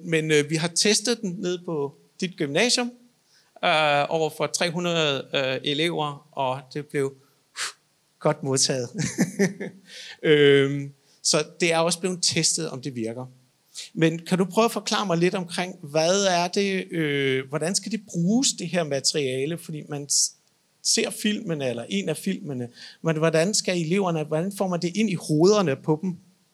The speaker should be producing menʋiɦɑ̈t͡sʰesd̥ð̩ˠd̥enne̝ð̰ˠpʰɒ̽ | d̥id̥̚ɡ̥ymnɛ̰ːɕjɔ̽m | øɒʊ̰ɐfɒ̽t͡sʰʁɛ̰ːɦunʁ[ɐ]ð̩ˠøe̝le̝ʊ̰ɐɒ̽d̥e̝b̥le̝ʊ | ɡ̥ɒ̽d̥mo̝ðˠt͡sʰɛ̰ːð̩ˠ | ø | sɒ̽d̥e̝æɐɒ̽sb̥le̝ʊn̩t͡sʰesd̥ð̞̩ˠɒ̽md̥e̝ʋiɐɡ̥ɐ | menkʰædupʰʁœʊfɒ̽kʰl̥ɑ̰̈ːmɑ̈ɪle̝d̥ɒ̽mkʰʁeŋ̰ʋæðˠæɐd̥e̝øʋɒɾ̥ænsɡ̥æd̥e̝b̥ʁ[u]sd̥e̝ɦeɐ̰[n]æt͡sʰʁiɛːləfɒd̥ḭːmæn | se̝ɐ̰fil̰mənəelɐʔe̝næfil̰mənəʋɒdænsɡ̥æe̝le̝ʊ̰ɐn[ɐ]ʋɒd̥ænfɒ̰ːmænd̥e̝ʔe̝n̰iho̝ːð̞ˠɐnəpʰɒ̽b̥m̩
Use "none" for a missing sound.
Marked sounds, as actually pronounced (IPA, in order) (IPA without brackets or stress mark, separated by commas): ɐ, uː, m, ə